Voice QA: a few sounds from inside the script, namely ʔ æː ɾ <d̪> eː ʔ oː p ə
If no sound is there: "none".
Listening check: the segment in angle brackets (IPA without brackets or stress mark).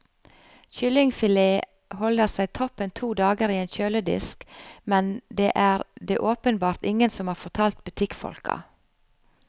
d̪